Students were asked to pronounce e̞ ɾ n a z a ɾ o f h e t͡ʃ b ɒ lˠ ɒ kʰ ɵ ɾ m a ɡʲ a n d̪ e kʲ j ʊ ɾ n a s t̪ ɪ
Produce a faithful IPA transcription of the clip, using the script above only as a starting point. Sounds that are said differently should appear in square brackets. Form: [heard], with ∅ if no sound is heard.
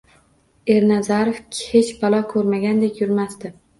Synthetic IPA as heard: e̞ ɾ n a z a ɾ o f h e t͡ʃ b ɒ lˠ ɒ kʰ ɵ ɾ m a ɡʲ a n d̪ e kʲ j ʊ ɾ [m] a s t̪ ɪ